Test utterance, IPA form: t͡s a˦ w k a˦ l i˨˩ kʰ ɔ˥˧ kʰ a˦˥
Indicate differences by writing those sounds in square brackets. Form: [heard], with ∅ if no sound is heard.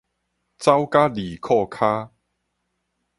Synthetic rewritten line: t͡s a˦ w k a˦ l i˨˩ kʰ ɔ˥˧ kʰ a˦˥